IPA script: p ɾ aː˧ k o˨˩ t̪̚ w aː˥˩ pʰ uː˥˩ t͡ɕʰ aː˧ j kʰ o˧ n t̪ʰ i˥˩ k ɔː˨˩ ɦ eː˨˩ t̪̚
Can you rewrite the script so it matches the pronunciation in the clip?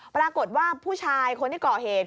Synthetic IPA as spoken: p ɾ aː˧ k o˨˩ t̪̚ w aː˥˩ pʰ uː˥˩ t͡ɕʰ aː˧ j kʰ o˧ n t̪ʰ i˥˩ k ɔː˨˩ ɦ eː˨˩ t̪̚